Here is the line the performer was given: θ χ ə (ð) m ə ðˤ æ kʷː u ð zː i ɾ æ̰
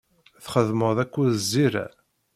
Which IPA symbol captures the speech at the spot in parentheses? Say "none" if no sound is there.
ð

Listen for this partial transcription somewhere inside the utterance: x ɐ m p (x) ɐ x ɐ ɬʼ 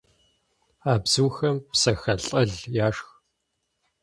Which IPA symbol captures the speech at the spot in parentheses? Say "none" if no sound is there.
s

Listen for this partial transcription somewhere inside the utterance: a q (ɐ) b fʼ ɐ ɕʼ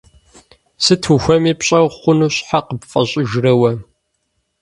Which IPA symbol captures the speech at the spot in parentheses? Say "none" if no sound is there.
ə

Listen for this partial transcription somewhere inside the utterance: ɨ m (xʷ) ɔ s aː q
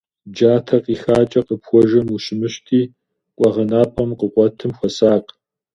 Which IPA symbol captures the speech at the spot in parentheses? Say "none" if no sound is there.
xʷ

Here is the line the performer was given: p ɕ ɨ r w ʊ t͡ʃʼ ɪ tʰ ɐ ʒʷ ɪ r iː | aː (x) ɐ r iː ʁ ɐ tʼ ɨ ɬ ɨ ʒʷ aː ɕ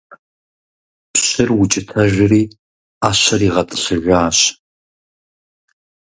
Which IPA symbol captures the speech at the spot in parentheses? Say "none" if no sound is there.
ɕ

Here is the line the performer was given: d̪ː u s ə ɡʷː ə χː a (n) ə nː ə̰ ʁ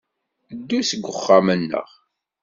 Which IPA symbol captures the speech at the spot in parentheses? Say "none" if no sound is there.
m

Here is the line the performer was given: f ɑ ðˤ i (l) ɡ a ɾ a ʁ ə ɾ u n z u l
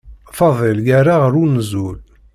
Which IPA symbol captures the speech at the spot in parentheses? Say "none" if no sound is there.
l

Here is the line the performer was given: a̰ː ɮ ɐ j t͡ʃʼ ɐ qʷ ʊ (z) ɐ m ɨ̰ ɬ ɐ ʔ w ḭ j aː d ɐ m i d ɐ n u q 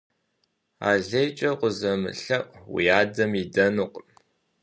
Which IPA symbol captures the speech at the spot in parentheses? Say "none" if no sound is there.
z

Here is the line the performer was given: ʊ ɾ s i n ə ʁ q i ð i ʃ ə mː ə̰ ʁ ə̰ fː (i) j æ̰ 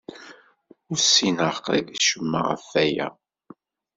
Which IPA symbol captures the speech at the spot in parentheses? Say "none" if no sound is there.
æ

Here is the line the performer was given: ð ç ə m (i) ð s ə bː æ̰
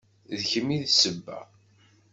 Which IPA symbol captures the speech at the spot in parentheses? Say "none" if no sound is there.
i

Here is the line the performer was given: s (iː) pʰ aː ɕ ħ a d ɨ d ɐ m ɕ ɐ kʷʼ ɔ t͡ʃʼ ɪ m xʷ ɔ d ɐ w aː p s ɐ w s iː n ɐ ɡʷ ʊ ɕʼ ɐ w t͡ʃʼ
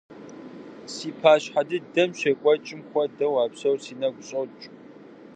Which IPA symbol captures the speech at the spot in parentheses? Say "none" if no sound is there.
iː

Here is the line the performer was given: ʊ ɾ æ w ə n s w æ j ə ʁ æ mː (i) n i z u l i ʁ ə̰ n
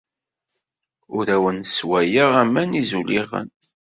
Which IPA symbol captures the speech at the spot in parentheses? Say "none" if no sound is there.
æ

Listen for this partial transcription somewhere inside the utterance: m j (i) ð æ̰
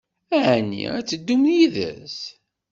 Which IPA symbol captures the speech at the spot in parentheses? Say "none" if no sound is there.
i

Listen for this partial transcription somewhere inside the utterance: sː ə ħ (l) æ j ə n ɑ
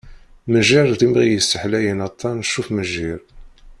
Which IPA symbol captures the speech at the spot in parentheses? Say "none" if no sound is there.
l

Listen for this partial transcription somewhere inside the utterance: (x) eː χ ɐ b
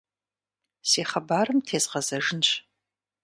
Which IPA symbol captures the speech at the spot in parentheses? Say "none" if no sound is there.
s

